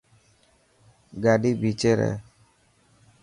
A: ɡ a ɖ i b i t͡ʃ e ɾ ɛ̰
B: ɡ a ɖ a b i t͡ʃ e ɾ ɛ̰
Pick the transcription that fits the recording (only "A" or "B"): A